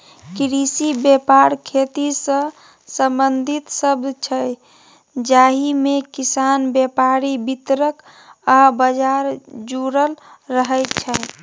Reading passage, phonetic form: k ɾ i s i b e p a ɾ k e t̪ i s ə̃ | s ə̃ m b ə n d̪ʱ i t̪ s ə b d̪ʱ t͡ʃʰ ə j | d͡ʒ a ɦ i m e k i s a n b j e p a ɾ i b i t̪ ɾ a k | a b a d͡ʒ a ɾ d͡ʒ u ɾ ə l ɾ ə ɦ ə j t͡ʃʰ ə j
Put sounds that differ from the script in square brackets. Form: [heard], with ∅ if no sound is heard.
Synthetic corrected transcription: k ɾ i s i b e p a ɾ [kʰ] e t̪ i s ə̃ | s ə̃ m b ə n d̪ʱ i t̪ s ə b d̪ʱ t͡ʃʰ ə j | d͡ʒ a ɦ i m e k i s a n b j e p a ɾ i b i t̪ ɾ [ə] k | a b [ə] d͡ʒ a ɾ d͡ʒ u ɾ ə l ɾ ə ɦ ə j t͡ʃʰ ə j